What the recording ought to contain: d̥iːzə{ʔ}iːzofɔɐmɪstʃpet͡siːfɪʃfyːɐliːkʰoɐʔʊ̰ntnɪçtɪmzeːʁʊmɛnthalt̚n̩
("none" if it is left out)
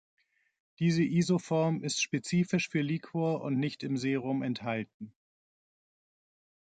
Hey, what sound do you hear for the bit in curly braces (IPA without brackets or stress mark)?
ʔ